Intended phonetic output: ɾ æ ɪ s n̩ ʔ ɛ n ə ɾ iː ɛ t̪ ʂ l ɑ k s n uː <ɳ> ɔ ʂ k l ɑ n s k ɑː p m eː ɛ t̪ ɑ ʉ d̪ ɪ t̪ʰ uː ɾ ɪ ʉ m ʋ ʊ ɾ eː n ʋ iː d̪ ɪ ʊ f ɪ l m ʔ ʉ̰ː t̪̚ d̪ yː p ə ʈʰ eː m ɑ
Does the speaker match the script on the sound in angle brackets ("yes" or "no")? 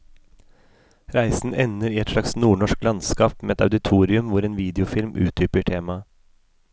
yes